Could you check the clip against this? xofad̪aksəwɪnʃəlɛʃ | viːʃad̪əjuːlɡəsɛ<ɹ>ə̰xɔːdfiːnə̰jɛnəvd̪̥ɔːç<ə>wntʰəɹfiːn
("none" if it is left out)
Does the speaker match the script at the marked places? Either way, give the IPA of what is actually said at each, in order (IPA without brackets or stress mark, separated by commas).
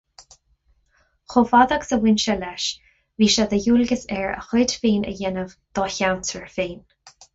ɹ, a